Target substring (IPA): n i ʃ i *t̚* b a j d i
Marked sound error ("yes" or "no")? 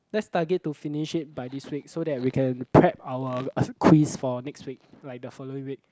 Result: no